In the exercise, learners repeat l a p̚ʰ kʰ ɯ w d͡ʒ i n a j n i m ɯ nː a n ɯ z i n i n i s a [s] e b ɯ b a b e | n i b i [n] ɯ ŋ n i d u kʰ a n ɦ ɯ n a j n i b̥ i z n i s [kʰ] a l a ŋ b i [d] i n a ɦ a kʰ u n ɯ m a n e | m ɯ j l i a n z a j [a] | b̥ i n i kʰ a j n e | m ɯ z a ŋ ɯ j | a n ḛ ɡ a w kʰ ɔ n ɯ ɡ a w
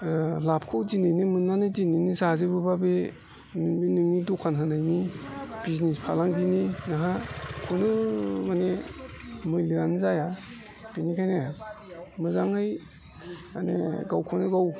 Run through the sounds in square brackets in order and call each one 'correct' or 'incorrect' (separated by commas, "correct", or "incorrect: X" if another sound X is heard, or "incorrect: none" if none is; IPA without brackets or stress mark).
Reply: incorrect: z, correct, incorrect: pʰ, incorrect: n, correct